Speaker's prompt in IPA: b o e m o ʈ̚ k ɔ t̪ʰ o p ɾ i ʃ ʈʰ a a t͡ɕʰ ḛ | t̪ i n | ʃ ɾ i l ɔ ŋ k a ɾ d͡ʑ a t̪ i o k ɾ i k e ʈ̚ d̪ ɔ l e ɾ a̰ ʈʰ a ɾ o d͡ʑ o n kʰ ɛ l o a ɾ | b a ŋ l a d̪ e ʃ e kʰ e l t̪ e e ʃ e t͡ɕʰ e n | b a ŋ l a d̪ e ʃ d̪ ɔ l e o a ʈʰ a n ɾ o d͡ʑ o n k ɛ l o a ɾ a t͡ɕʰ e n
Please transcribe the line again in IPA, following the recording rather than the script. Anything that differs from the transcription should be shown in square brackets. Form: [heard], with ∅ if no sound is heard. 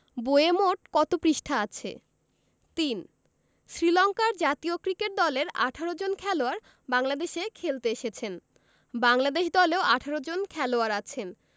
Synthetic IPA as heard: b o e m o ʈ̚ k ɔ [t̪] o p ɾ i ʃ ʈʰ a a t͡ɕʰ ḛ | t̪ i n | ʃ ɾ i l ɔ ŋ k a ɾ d͡ʑ a t̪ i o k ɾ i k e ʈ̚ d̪ ɔ l e ɾ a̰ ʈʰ a ɾ o d͡ʑ o n kʰ ɛ l o a ɾ | b a ŋ l a d̪ e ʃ e kʰ e l t̪ e e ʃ e t͡ɕʰ e n | b a ŋ l a d̪ e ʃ d̪ ɔ l e o a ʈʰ a [∅] ɾ o d͡ʑ o n [kʰ] ɛ l o a ɾ a t͡ɕʰ e n

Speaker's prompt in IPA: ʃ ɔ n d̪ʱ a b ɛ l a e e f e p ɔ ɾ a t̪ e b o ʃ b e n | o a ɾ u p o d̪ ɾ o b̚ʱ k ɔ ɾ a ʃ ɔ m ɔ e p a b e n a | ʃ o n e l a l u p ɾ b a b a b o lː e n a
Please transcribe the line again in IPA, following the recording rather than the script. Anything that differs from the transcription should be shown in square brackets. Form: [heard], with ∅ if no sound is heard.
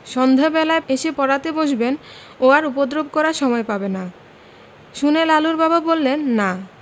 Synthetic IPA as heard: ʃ ɔ n d̪ʱ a b ɛ l a e e [ʃ] e p ɔ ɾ a t̪ e b o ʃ b e n | o a ɾ u p o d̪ ɾ o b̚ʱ k ɔ ɾ a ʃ ɔ m ɔ e p a b e n a | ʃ [u] n e l a l u [∅] ɾ b a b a b o lː e [nː] a

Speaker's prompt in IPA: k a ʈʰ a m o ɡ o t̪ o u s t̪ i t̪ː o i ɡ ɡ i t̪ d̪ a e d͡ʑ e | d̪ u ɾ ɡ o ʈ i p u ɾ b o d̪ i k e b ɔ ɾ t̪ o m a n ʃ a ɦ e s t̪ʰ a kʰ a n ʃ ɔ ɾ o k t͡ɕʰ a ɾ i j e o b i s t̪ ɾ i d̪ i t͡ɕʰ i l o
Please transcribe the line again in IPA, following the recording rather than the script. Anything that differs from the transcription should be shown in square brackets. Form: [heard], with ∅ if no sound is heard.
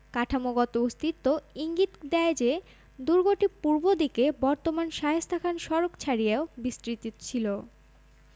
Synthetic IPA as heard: k a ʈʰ a m o ɡ [ɔ] t̪ o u s t̪ i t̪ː o i [ŋ] ɡ i t̪ d̪ [ɛ] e d͡ʑ e | d̪ u ɾ ɡ o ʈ i p u ɾ b o d̪ i k e b ɔ ɾ t̪ o m a n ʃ a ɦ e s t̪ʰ a kʰ a n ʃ ɔ ɾ o k t͡ɕʰ a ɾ i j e o b i s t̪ ɾ i [t̪] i t͡ɕʰ i l o

